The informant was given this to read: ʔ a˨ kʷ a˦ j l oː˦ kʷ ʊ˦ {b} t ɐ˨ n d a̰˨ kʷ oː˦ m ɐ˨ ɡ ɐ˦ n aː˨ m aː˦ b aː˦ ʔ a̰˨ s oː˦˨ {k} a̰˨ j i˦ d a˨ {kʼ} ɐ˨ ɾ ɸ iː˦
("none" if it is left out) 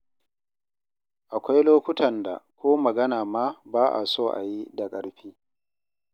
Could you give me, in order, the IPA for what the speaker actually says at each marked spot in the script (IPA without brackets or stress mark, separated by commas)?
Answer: none, ʔ, kʼ